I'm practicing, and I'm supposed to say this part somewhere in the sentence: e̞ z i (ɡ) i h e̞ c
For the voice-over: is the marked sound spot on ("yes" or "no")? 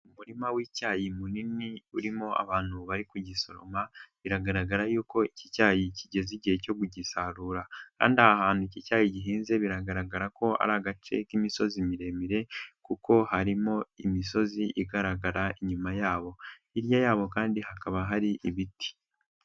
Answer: no